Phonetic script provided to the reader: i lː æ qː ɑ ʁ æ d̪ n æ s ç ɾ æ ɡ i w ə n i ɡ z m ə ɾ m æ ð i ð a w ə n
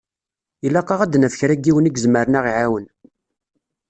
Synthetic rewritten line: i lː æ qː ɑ ʁ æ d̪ n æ f ç ɾ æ ɡ i w ə n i ɡ z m ə ɾ n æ ʁ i ʕ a w ə n